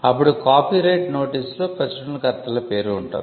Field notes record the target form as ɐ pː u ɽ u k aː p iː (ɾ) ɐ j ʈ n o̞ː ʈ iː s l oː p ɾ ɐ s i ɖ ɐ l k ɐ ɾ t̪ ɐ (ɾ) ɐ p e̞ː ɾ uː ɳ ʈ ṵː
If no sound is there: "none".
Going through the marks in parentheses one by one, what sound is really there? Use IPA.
ɾ, l

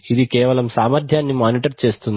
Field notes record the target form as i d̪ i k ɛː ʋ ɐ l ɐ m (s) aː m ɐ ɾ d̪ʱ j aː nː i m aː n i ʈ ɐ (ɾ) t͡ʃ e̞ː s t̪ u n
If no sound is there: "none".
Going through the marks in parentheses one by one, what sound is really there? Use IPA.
s, ɾ

